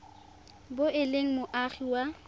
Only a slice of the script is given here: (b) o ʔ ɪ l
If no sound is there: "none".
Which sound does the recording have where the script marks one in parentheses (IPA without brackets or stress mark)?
b